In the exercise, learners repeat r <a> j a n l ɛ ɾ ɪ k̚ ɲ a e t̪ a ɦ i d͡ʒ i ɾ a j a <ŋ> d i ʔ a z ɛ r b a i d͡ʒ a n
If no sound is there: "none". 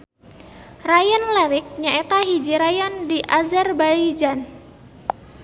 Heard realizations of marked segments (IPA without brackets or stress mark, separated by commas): a, n